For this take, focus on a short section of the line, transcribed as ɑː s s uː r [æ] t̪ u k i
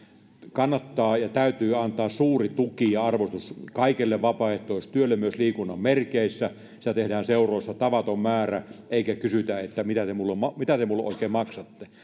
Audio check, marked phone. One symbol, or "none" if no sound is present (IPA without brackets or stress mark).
i